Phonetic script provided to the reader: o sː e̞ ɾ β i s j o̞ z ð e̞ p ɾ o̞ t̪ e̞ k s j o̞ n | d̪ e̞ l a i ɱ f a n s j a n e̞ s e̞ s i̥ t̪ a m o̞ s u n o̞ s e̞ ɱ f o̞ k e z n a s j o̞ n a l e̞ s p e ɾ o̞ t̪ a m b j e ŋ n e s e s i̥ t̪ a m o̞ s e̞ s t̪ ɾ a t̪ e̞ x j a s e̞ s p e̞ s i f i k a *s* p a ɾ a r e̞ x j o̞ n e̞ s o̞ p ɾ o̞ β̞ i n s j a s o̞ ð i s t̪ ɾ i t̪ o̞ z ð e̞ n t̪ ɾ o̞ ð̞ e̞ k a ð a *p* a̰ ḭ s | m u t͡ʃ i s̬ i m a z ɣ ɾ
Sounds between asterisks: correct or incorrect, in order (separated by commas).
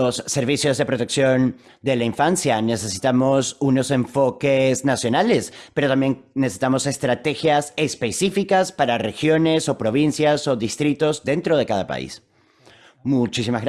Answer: correct, correct